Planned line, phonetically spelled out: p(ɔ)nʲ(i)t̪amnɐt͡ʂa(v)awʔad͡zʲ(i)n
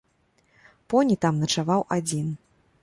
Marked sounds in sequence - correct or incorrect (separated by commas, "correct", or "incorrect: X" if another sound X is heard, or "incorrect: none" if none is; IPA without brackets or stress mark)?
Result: correct, correct, correct, correct